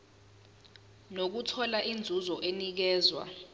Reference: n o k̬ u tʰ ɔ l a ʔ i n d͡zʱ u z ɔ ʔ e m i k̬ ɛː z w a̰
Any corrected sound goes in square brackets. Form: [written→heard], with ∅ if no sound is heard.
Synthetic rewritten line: n o k̬ u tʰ ɔ l a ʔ i n d͡zʱ u z ɔ ʔ e [m→n] i k̬ ɛː z w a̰